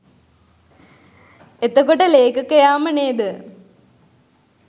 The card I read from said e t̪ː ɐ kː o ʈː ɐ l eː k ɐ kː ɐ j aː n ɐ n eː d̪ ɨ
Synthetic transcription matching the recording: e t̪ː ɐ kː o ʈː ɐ l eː k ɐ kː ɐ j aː m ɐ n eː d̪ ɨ